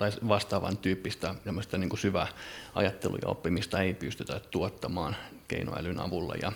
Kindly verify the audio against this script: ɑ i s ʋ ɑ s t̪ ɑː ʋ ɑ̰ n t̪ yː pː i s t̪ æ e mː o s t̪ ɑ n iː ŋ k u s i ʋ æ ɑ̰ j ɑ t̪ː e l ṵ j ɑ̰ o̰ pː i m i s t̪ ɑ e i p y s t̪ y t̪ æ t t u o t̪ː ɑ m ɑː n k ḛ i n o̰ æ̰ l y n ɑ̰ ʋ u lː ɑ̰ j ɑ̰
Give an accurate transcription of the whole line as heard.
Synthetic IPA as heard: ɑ i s ʋ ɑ s t̪ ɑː ʋ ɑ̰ n t̪ yː pː i s t̪ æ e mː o s t̪ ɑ n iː ŋ k u s y ʋ æ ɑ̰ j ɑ t̪ː e l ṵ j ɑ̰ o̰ pː i m i s t̪ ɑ e i p y s t̪ y t̪ æ t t u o t̪ː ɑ m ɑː n k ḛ i n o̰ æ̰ l y n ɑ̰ ʋ u lː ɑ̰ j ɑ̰